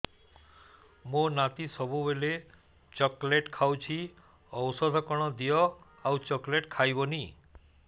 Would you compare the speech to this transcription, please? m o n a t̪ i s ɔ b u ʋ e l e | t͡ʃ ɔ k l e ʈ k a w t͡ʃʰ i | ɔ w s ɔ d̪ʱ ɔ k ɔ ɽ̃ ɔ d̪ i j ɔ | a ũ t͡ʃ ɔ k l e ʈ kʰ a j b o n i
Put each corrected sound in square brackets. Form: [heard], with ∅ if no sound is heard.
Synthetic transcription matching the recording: m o n a t̪ i s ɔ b u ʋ e l e | t͡ʃ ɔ k l e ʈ [kʰ] a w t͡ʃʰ i | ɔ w s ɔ d̪ʱ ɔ k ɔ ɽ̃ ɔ d̪ i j ɔ | a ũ t͡ʃ ɔ k l e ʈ kʰ a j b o n i